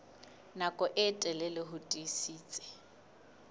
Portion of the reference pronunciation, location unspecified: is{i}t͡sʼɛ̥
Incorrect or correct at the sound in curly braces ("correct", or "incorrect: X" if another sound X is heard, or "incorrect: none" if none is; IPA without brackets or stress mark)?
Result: incorrect: iː